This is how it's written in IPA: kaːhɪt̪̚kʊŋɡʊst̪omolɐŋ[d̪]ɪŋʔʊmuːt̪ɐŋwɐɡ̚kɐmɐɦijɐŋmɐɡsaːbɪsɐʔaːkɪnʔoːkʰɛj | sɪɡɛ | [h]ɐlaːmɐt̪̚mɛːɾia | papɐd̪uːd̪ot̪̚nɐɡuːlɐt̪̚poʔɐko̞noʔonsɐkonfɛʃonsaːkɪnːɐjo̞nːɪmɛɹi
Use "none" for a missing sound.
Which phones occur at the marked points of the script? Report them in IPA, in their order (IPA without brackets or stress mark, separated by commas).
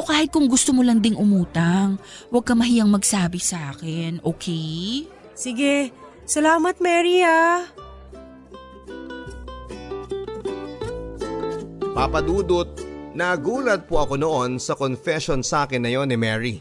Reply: d̪, s